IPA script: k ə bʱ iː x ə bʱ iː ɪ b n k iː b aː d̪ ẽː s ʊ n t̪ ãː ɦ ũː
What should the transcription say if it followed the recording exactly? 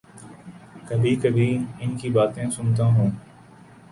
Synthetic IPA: k ə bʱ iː k ə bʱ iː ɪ n k iː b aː t̪ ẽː s ʊ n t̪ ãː ɦ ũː